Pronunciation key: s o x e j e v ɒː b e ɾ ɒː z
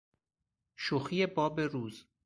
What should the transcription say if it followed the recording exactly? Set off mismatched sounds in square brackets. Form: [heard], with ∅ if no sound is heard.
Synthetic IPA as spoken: [ʃ] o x [i] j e [b] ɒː b e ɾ [uː] z